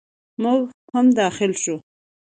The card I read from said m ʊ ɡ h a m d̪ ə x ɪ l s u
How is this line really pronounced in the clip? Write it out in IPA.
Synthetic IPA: m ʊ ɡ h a m d̪ ɑ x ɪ l ʃ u